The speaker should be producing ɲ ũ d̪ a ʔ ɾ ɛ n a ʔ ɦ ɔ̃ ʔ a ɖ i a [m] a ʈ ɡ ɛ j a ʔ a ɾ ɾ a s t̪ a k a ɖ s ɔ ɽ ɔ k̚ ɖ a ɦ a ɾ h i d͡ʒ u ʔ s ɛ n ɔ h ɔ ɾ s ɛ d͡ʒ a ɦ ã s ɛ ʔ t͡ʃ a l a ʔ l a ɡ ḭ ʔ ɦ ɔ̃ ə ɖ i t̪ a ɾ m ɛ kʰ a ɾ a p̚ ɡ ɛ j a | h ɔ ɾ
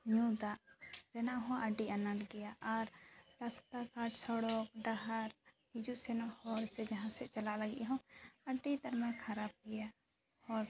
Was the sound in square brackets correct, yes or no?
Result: no